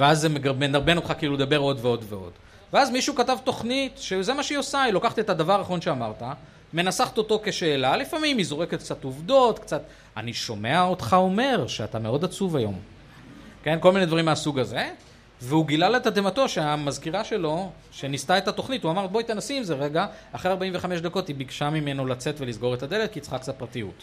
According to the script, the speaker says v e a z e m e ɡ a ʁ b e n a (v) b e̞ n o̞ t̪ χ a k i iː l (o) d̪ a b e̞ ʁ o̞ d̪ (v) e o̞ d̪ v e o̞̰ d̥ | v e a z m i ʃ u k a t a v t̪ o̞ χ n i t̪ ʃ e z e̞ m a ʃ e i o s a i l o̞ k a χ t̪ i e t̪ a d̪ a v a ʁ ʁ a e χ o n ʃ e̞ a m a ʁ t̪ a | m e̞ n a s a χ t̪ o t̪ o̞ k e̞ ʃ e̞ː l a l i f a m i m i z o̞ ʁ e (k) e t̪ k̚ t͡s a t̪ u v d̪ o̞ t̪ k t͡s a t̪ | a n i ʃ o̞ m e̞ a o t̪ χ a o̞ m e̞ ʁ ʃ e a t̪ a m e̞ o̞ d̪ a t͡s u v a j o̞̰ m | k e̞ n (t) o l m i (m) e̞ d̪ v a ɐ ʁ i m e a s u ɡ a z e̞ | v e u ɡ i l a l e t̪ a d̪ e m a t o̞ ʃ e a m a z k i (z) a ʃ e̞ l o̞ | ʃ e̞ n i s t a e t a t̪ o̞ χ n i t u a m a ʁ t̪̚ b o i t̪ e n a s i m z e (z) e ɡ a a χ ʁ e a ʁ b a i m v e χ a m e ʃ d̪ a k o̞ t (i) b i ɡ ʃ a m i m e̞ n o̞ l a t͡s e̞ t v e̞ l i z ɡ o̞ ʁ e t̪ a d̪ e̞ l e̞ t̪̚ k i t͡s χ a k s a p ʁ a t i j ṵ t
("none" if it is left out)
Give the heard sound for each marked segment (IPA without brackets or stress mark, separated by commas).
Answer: ʁ, u, v, k, k, n, ʁ, ʁ, i